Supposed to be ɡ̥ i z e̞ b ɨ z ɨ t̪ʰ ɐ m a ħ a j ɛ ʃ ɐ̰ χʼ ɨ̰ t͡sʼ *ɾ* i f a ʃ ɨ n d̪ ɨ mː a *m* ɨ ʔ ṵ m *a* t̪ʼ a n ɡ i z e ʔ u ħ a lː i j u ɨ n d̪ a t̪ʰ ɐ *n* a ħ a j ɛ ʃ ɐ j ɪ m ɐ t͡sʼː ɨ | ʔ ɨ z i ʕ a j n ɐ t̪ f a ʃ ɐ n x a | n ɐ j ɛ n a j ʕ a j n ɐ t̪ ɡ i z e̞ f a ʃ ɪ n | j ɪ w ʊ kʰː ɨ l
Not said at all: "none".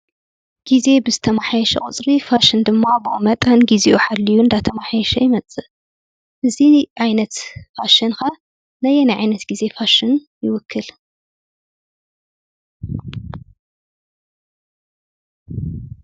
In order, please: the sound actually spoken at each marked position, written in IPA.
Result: ɾ, b, ɐ, m

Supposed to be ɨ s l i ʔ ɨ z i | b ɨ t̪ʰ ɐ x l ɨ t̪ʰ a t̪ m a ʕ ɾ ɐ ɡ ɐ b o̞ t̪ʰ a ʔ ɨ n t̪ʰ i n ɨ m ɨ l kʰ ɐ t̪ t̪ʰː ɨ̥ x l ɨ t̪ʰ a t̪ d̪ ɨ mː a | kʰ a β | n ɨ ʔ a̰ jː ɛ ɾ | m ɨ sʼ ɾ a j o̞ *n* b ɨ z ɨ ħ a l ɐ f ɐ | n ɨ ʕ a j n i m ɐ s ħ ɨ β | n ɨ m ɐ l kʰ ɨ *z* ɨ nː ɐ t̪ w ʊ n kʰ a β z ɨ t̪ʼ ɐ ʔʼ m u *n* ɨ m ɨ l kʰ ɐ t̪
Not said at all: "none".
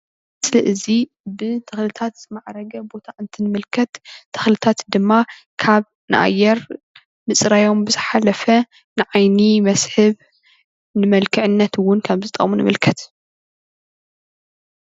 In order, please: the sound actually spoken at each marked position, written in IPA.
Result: m, ʕ, n

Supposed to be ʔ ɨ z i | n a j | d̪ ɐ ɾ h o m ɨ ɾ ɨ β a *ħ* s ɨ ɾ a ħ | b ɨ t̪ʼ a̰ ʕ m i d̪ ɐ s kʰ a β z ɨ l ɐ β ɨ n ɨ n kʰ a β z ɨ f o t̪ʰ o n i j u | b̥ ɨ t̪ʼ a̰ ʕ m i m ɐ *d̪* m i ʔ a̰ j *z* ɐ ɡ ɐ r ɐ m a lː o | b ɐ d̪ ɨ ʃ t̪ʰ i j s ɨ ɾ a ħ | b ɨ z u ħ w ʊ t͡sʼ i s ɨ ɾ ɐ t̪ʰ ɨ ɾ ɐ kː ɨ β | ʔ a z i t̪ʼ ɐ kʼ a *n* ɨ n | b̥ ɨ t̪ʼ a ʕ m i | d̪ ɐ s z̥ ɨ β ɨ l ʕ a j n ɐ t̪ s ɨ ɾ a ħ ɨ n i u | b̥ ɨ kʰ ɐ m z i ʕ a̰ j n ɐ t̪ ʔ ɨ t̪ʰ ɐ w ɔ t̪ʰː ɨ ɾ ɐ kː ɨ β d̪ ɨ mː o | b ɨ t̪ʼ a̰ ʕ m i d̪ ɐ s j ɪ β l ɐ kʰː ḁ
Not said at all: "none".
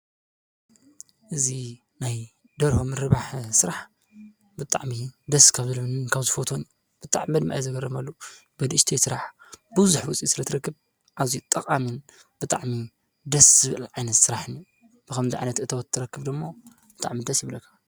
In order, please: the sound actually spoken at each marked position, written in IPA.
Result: ħ, d̪, z, m

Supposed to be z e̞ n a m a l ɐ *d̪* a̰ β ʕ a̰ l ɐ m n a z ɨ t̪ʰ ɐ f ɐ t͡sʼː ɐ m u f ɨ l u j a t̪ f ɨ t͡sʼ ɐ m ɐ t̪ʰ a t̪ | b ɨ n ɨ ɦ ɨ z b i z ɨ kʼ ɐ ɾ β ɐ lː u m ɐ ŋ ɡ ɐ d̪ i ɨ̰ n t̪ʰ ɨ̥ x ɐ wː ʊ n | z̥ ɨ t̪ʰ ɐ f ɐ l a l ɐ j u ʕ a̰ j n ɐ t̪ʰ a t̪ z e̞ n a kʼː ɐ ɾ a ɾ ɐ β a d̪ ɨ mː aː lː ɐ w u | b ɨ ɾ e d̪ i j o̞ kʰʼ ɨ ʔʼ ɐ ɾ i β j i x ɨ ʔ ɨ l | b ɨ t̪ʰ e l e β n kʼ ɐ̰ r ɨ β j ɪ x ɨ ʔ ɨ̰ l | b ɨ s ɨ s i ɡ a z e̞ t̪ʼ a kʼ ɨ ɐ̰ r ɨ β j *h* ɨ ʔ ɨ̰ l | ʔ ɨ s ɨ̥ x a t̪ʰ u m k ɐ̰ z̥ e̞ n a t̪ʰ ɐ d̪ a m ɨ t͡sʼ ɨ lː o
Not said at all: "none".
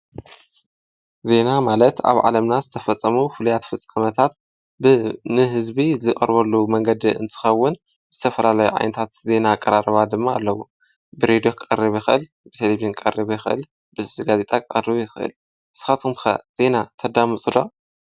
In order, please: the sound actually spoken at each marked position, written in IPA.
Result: t̪, x

